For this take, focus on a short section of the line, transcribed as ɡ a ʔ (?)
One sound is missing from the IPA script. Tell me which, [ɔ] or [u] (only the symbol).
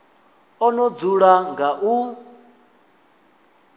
u